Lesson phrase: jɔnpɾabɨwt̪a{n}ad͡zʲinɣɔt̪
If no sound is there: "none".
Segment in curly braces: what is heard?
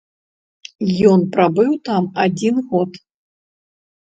m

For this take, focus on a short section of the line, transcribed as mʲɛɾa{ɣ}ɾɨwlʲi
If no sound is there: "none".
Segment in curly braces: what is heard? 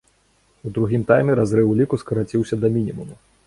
z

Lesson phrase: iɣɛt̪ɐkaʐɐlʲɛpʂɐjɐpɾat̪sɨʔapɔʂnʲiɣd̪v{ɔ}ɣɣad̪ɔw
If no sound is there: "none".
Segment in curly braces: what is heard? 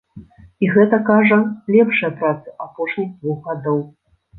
u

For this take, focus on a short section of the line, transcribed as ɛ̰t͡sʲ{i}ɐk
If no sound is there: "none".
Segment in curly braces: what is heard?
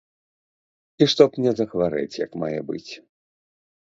j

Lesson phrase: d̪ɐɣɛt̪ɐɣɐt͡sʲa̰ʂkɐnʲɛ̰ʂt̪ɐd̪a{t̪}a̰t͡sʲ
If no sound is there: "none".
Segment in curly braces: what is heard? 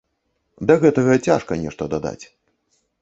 d̪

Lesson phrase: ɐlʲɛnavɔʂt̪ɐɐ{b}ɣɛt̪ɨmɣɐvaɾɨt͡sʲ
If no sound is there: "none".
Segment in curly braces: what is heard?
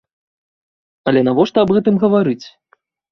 b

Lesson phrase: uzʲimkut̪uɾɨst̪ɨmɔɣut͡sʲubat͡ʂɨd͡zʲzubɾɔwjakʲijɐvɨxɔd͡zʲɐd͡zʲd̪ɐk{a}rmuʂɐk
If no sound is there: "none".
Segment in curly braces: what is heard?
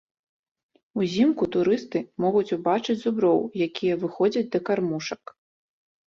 a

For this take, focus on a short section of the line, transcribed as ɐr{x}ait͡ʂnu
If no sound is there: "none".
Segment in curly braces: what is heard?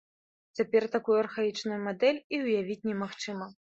x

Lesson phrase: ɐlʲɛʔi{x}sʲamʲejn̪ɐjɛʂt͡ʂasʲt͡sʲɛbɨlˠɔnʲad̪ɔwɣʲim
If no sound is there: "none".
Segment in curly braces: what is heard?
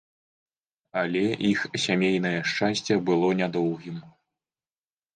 x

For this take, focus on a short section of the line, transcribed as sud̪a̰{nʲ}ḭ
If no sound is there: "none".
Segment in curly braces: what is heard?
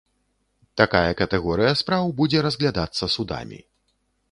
mʲ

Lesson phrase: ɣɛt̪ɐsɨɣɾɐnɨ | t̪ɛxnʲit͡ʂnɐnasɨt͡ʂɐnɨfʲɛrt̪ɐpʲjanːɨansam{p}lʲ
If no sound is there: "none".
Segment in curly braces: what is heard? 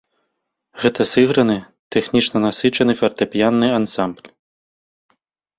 b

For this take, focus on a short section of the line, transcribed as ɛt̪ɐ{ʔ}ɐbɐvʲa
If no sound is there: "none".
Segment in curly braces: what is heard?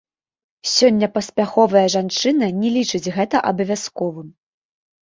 ʔ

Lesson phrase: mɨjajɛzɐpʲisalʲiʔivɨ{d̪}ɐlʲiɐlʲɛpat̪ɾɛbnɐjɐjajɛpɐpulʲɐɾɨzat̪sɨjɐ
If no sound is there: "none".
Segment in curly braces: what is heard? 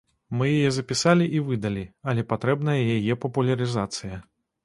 d̪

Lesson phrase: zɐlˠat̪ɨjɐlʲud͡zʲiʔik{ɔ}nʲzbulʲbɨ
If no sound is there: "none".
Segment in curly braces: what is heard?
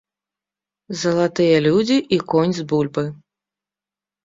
ɔ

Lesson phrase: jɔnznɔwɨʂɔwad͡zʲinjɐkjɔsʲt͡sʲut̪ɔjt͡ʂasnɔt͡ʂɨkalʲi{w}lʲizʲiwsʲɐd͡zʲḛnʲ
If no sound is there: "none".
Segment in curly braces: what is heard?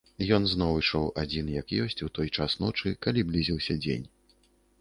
b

